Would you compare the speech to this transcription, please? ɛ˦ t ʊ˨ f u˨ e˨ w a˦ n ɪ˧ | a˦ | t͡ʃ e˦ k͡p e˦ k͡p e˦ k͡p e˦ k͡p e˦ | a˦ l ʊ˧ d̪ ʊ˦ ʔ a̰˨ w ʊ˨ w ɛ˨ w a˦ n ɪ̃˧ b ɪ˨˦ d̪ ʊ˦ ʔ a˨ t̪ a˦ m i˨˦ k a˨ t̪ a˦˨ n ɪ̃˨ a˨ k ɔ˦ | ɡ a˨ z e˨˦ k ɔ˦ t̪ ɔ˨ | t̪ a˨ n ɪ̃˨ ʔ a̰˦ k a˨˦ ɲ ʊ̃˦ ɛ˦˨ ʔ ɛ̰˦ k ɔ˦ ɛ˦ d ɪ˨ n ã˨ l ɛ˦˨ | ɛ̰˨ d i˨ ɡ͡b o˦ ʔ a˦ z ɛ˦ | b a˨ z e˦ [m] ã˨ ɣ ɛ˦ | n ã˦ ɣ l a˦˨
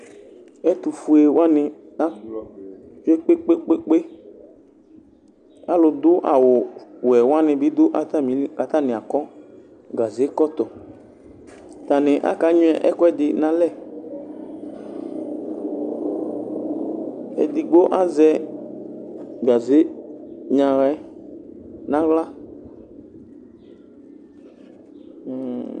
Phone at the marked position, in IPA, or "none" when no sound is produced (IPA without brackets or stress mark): ɲ